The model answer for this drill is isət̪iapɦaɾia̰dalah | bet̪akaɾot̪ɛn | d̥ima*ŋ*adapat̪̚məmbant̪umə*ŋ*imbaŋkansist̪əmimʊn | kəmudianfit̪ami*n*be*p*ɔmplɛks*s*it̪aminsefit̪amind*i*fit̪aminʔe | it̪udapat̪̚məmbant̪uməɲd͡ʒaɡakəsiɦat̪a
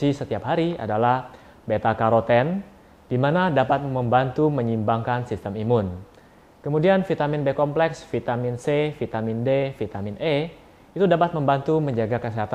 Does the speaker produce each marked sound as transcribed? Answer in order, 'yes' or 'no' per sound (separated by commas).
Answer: no, no, yes, no, no, no